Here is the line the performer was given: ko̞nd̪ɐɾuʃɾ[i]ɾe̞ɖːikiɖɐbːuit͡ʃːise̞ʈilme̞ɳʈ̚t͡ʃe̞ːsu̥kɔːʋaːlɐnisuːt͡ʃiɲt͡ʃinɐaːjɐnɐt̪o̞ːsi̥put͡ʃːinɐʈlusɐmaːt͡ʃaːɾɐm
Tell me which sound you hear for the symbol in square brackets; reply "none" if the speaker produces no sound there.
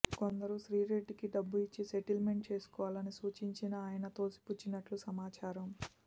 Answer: iː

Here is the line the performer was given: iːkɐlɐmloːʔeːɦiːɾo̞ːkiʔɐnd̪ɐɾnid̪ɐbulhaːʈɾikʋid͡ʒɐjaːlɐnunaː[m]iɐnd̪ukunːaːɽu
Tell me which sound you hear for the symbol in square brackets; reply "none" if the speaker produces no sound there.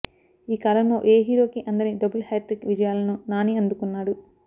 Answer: n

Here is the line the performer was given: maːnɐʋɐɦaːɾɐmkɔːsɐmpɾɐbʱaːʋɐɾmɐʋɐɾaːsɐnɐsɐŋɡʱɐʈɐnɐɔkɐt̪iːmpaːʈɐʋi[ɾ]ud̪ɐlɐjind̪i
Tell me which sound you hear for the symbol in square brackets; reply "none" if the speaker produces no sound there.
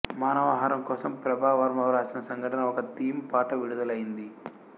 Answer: ɽ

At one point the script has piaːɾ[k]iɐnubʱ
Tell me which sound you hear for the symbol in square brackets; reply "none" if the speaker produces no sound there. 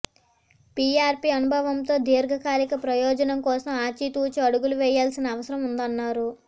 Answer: p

